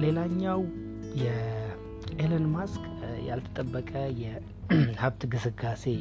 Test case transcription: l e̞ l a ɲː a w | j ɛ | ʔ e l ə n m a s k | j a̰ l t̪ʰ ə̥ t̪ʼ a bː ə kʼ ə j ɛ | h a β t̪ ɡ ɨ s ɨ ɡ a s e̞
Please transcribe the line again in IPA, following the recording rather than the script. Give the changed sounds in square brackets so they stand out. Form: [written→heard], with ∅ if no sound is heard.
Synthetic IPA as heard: l e̞ l a ɲː a w | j ɛ | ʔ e l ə n m a s k | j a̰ l t̪ʰ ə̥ t̪ʼ [a→ə] bː ə kʼ ə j ɛ | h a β t̪ ɡ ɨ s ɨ ɡ a s e̞